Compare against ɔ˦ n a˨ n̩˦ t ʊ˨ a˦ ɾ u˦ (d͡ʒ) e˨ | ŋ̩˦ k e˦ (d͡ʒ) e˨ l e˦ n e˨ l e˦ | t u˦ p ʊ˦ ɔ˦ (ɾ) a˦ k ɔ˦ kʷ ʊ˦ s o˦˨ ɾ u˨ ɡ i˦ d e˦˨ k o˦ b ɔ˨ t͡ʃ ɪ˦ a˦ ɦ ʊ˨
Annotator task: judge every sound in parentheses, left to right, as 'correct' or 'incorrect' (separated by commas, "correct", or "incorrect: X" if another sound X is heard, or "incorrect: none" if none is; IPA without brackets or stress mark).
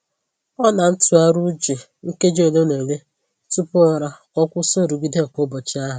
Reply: correct, correct, correct